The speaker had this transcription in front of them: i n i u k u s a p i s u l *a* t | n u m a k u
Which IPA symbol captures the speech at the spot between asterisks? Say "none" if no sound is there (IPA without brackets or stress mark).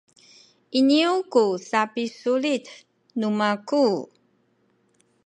i